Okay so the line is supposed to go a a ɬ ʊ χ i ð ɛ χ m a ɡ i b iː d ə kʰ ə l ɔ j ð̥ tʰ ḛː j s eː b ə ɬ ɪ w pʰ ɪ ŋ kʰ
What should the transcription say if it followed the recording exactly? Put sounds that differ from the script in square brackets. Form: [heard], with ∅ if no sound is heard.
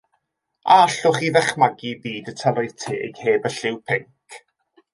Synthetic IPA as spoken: a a ɬ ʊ χ i ð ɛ χ m a ɡ i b iː d ə [tʰ] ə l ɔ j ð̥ tʰ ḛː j [h] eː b ə ɬ ɪ w pʰ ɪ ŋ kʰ